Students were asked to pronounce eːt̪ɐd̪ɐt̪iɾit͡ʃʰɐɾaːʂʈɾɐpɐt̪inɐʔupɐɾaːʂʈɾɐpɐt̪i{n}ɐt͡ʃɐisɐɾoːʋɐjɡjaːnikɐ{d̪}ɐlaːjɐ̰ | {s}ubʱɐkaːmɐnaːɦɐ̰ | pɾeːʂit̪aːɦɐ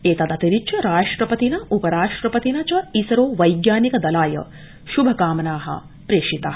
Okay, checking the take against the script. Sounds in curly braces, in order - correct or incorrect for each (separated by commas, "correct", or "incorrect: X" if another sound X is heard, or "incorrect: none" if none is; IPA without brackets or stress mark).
correct, correct, incorrect: ʃ